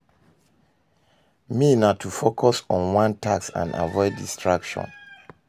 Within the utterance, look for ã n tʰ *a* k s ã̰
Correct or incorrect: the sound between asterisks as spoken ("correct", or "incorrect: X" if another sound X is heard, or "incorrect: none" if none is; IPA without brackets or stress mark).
correct